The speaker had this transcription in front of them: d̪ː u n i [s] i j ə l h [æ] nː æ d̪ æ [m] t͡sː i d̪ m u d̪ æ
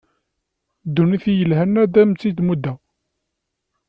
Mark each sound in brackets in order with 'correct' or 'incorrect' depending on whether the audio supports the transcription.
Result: incorrect: θ, correct, correct

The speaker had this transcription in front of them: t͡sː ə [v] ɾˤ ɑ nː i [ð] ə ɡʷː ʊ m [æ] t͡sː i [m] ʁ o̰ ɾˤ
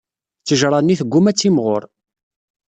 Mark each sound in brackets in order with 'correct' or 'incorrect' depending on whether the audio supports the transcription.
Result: incorrect: ʒ, incorrect: θ, correct, correct

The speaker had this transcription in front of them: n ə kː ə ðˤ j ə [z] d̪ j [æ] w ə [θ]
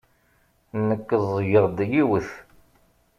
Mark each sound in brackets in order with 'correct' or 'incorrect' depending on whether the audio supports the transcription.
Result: incorrect: ʁ, incorrect: i, correct

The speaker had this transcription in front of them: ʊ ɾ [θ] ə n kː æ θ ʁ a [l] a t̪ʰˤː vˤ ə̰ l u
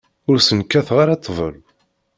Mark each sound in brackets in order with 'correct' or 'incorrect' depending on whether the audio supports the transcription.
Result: incorrect: s, incorrect: ɾ

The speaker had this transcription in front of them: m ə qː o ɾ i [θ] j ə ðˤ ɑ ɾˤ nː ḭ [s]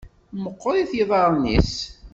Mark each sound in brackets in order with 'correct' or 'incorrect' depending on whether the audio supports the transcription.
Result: correct, correct

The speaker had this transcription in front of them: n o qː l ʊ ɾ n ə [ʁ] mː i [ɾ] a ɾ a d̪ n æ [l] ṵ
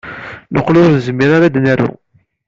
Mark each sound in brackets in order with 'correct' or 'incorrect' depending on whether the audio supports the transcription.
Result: incorrect: z, correct, incorrect: ɾ

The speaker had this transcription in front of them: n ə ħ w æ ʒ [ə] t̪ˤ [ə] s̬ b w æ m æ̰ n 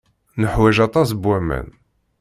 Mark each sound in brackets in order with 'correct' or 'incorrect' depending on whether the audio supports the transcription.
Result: incorrect: ɑ, incorrect: ɑ

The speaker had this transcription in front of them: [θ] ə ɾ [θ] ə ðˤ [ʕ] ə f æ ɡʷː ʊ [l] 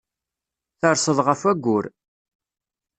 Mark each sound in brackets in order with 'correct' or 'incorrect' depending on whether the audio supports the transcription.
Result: correct, incorrect: s, incorrect: ʁ, incorrect: ɾ

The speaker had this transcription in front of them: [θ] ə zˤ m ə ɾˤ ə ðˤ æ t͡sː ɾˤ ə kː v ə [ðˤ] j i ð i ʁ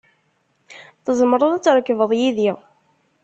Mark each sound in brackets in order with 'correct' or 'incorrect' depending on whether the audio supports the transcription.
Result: correct, correct

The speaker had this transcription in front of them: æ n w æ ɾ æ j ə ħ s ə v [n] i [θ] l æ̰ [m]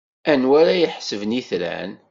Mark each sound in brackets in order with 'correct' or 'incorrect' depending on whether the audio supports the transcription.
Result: correct, correct, incorrect: n

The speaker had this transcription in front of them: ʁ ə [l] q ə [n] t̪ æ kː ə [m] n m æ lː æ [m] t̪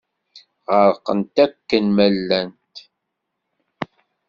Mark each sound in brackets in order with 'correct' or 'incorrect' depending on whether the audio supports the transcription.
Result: incorrect: ɾ, correct, incorrect: none, incorrect: n

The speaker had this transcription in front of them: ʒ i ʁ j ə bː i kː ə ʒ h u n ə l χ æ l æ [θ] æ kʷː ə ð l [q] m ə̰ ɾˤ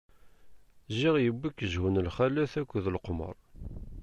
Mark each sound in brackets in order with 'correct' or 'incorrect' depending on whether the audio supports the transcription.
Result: correct, correct

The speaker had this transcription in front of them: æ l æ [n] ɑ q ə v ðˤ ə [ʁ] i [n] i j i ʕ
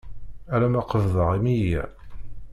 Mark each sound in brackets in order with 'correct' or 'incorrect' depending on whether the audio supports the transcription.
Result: incorrect: m, correct, incorrect: m

